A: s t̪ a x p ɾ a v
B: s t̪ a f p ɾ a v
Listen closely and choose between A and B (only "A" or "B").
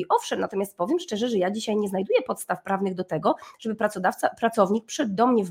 B